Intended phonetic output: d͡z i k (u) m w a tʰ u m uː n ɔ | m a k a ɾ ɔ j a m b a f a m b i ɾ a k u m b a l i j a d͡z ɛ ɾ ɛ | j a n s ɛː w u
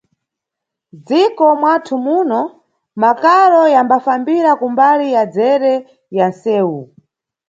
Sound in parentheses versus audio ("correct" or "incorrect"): incorrect